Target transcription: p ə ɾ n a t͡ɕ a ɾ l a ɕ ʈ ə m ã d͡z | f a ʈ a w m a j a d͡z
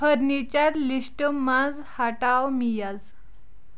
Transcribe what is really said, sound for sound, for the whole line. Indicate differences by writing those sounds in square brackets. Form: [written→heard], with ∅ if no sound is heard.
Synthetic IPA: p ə ɾ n [a→i] t͡ɕ a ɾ l [a→i] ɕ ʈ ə m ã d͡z | [f→h] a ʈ a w m [a→i] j a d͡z